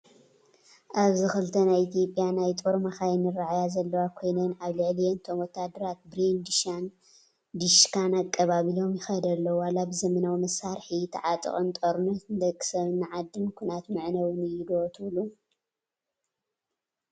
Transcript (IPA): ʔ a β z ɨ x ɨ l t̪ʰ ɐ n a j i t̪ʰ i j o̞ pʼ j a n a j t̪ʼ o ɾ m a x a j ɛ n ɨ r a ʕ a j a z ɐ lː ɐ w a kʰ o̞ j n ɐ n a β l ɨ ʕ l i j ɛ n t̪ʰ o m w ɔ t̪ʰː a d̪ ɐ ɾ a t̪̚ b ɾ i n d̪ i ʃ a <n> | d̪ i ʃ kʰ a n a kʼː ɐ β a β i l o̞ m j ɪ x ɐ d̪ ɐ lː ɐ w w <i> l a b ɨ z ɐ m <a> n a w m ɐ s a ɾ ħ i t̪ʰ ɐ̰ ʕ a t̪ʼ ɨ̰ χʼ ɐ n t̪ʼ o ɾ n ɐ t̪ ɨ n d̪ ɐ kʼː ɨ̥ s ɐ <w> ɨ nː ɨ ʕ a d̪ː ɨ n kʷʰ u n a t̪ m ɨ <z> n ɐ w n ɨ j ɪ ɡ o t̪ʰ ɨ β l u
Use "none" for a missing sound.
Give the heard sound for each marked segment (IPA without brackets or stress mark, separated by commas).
n, a, ɐ, β, ʕ